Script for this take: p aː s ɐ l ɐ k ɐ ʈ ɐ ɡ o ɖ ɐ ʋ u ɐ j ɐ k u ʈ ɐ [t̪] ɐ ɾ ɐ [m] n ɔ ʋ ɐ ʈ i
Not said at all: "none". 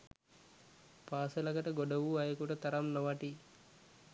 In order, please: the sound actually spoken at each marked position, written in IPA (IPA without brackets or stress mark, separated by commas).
t̪, m